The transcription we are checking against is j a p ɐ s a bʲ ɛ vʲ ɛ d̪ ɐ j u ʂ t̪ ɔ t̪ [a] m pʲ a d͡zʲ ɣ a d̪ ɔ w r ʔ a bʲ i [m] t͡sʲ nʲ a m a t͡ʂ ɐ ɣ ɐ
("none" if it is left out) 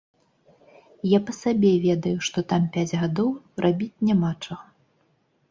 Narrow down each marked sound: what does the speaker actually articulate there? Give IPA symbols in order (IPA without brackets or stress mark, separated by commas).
a, none